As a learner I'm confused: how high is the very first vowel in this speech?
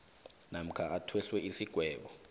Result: low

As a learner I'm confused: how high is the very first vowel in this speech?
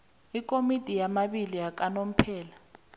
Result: high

